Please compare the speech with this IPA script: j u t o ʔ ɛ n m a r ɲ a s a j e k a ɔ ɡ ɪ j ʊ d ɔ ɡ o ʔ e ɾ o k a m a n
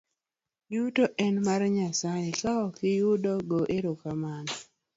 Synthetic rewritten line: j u t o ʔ ɛ n m a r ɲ a s a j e k a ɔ k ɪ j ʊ d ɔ ɡ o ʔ e ɾ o k a m a n